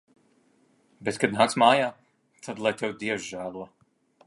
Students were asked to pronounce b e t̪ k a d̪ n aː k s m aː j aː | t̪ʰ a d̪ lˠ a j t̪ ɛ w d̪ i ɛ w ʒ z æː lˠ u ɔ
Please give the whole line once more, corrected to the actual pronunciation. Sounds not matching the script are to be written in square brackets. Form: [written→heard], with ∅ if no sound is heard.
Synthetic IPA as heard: b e t̪ k a d̪ n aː k s m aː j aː | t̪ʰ a d̪ lˠ a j t̪ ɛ w d̪ i ɛ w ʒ [z→ʒ] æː lˠ u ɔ